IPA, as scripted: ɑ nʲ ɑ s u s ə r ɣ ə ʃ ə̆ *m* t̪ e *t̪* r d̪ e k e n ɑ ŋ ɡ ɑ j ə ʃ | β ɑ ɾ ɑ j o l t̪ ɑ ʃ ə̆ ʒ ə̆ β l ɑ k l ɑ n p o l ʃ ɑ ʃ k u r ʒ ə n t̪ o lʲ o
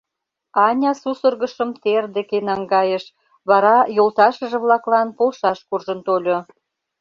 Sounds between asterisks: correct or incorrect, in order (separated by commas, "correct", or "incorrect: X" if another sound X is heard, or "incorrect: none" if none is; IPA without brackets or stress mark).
correct, incorrect: none